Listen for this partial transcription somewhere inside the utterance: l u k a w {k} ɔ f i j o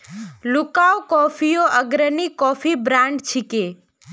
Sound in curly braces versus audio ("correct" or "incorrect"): correct